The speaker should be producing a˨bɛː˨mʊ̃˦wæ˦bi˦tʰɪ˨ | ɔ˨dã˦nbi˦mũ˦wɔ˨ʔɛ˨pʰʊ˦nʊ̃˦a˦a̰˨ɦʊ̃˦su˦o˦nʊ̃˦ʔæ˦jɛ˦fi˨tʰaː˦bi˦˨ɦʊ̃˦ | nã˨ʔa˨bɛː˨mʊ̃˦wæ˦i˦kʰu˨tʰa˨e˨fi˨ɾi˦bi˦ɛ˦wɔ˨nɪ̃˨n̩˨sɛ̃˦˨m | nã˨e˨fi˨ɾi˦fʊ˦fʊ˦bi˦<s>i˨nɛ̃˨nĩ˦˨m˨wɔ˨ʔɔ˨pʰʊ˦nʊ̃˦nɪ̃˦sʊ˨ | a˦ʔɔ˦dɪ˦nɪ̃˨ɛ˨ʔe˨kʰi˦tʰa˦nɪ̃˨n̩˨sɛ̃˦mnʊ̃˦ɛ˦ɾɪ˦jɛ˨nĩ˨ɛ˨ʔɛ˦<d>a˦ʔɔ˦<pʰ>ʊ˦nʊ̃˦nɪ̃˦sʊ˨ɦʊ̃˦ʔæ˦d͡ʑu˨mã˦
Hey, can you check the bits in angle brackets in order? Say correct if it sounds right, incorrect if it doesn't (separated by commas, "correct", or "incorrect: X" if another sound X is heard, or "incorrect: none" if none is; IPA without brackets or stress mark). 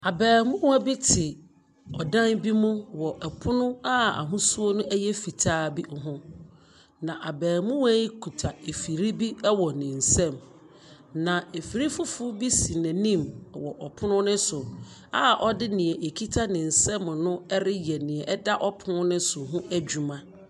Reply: correct, correct, correct